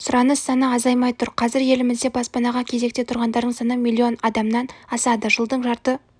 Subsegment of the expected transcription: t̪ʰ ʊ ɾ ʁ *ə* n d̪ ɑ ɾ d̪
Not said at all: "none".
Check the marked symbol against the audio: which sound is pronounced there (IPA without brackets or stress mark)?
ɑ